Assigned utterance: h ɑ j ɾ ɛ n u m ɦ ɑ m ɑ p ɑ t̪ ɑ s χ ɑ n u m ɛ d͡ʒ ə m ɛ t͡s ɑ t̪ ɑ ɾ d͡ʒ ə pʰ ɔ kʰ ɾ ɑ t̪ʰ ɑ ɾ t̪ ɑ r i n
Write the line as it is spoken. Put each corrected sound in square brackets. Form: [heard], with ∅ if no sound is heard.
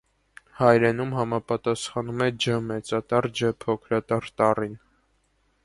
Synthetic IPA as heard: h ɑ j ɾ ɛ n u m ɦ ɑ m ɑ p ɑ t̪ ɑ s χ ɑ n u m ɛ d͡ʒ ə m ɛ t͡s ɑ t̪ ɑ ɾ d͡ʒ ə pʰ ɔ kʰ ɾ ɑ [t̪] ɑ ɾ t̪ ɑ r i n